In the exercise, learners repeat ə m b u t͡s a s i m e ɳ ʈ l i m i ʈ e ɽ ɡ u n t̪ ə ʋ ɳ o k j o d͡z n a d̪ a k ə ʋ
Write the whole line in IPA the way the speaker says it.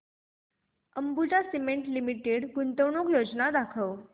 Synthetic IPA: ə m b u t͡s a s i m e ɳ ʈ l i m i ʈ e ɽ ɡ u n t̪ ə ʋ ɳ o k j o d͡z n a d̪ a kʰ ə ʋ